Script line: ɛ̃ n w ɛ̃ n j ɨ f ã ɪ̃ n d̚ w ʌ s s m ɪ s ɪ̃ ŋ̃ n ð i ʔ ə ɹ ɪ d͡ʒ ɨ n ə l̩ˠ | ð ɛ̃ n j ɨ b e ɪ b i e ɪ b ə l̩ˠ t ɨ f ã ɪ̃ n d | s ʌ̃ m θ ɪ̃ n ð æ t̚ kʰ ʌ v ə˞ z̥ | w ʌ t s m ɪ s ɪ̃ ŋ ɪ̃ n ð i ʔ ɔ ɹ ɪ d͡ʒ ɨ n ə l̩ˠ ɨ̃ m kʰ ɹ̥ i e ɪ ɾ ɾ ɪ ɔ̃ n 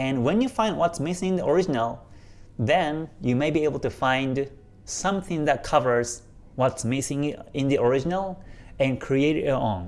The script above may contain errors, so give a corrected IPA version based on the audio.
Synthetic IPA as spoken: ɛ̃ n w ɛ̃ n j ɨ f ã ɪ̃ n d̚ w ʌ t s m ɪ s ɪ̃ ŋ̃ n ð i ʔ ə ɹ ɪ d͡ʒ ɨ n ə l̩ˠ | ð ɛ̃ n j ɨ m e ɪ b i e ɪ b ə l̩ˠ t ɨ f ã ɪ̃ n d | s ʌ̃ m θ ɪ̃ ŋ ð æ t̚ kʰ ʌ v ə˞ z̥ | w ʌ t s m ɪ s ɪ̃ ŋ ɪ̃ n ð i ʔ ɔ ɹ ɪ d͡ʒ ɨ n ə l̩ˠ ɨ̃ n kʰ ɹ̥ i e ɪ ɾ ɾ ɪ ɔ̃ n